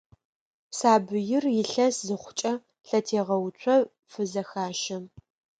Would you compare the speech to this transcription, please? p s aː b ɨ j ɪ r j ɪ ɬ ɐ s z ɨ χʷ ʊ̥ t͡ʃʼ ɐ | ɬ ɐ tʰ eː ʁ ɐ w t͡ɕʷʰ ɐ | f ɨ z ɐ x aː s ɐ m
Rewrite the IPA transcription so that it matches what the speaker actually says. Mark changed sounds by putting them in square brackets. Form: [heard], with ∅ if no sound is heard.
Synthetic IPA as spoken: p s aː b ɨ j ɪ r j ɪ ɬ ɐ s z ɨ χʷ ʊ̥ t͡ʃʼ ɐ | ɬ ɐ tʰ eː ʁ ɐ w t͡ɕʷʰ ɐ | f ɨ z ɐ x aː [ʃ] ɐ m